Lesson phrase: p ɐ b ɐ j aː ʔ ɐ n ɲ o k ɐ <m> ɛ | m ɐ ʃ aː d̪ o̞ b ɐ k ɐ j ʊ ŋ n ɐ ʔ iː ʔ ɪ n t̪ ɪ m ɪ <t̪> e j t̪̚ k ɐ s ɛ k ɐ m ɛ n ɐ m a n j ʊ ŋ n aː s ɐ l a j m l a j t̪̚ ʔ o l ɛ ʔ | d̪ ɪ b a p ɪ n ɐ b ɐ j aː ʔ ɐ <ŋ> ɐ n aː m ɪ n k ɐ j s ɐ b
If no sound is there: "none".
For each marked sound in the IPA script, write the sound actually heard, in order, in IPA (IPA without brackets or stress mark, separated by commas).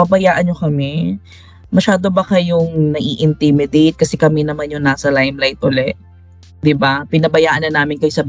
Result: m, d̪, n